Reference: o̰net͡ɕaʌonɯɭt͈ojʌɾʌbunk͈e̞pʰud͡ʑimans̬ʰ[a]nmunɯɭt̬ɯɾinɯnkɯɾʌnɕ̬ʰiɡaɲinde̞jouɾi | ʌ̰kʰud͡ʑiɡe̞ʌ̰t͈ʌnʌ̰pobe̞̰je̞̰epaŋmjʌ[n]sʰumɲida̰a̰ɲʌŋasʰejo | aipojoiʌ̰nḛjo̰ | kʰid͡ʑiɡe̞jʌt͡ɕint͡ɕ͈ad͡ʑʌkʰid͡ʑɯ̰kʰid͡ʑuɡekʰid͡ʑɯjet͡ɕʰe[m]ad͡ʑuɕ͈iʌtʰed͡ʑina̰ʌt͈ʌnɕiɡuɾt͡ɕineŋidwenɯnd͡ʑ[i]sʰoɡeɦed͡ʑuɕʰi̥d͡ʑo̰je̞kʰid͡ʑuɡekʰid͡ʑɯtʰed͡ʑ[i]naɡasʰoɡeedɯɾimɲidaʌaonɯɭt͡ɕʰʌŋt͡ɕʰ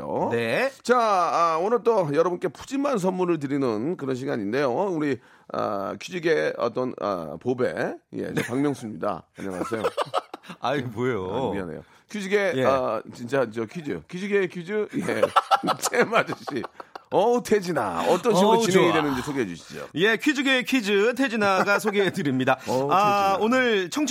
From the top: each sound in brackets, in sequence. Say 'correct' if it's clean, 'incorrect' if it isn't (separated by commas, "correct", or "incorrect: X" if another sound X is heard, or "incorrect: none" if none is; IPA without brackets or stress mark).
incorrect: ʌ, incorrect: ŋ, correct, correct, correct